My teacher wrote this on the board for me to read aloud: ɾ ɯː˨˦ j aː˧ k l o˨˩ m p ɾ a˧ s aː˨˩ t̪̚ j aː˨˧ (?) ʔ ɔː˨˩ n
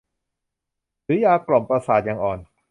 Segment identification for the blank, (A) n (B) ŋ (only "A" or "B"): B